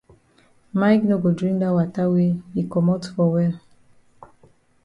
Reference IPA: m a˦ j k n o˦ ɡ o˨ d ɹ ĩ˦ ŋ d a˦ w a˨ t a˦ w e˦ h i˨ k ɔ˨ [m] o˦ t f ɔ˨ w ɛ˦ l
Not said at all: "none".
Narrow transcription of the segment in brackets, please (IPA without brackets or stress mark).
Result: m